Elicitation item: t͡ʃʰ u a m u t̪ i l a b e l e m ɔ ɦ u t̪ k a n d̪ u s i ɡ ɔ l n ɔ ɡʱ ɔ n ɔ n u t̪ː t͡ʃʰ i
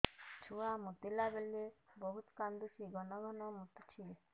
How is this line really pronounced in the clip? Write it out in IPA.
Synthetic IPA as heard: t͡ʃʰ u a m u t̪ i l a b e l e b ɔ ɦ u t̪ k a n d̪ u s i ɡ ɔ n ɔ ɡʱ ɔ n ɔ m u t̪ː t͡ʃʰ i